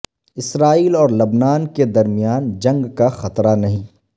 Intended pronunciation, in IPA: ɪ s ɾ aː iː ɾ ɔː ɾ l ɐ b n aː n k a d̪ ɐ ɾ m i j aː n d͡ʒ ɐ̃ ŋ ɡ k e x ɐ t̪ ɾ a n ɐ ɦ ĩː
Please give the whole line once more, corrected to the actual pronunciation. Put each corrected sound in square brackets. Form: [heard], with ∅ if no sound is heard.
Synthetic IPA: ɪ s ɾ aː iː [l] ɔː ɾ l ɐ b n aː n k [e] d̪ ɐ ɾ m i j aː n d͡ʒ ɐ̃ ŋ ɡ k [a] x ɐ t̪ ɾ a n ɐ ɦ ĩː